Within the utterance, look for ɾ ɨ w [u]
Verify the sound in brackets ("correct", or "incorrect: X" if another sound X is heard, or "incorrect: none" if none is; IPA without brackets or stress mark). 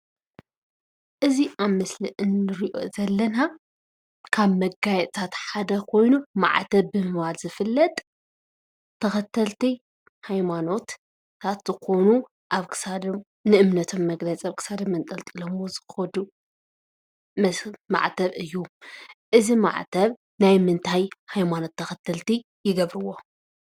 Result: incorrect: o